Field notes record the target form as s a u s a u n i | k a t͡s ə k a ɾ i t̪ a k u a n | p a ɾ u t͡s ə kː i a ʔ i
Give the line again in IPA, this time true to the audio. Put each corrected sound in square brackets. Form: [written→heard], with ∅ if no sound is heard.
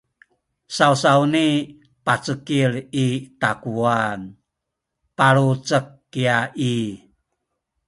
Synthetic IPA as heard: s a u s a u n i | [k→p] a t͡s ə k [a→i] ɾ i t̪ a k u a n | p a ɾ u t͡s ə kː i a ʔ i

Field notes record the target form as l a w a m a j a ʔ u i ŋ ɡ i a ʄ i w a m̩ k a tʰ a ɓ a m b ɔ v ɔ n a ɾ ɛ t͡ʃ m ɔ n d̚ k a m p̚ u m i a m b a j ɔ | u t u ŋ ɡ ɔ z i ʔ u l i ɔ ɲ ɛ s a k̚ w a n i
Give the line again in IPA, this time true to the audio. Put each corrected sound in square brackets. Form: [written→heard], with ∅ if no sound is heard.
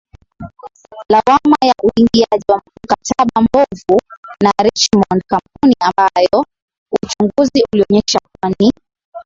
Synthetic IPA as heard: l a w a m a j a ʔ u i ŋ ɡ i a ʄ i w a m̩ k a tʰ a ɓ a m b ɔ v [ɔ→u] n a ɾ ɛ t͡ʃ m ɔ n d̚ k a m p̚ u [m→n] i a m b a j ɔ | u [t→t͡ʃ] u ŋ ɡ [ɔ→u] z i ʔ u l i ɔ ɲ ɛ [s→ʃ] a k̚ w a n i

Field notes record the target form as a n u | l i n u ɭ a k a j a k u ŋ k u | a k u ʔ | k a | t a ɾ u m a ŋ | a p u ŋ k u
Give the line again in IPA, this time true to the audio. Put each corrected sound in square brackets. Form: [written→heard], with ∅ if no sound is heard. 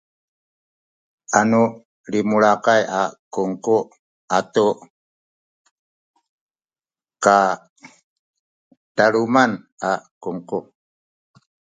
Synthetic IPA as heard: a n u | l i [n→m] u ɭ a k a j a k u ŋ k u | a [k→t] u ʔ | k a | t a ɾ u m a [ŋ→n] | a [p→k] u ŋ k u

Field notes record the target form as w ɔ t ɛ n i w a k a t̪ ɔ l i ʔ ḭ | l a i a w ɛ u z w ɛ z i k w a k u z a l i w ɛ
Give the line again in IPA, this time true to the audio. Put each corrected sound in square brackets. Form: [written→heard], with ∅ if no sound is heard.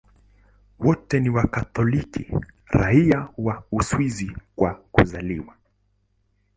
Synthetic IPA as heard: w ɔ t ɛ n i w a k a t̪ ɔ l i [ʔ→k] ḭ | [l→ɾ] a i a w [ɛ→a] u [z→s] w [ɛ→i] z i k w a k u z a l i w [ɛ→a]

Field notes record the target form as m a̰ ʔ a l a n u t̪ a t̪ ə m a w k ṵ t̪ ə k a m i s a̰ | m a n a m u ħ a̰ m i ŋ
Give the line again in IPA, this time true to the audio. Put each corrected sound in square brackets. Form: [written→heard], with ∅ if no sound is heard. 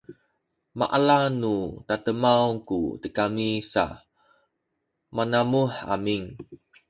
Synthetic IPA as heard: m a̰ ʔ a l a n u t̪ a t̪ ə m a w k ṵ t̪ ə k a m i s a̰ | m a n a m u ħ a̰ m i ŋ

